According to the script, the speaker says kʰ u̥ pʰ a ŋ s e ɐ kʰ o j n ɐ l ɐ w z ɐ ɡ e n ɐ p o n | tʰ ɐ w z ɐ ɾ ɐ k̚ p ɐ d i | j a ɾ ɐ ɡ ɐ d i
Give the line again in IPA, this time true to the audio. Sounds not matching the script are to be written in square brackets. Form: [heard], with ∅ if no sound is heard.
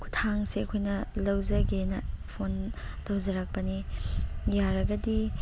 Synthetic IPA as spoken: kʰ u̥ [tʰ] a ŋ s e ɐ kʰ o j n ɐ l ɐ w z ɐ ɡ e n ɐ [pʰ] o n | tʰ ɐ w z ɐ ɾ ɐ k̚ p ɐ [n] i | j a ɾ ɐ ɡ ɐ d i